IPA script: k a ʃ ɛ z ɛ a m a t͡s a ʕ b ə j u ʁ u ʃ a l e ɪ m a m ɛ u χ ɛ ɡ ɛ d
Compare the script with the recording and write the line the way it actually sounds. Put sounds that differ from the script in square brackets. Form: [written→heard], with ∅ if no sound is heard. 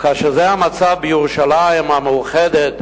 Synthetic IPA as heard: k a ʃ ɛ z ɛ a m a t͡s a [ʕ→v] b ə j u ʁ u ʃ a l [e→a] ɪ m a m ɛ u χ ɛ [ɡ→d] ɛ [d→t]